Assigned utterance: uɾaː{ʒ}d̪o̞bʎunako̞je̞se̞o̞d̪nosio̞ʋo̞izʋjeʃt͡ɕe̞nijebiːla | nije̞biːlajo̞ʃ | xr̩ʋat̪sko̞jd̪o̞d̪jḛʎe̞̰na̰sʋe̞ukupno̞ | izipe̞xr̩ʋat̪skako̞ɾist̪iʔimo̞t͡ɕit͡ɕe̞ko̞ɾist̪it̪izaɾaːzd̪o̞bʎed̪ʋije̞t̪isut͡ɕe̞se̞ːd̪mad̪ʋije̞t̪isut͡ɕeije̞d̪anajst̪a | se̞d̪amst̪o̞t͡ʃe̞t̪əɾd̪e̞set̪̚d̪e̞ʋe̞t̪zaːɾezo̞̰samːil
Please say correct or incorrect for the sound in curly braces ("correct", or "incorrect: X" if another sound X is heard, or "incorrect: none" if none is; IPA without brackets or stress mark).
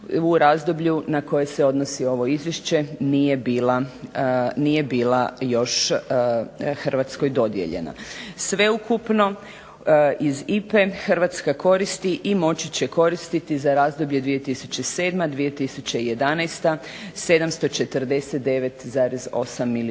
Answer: incorrect: z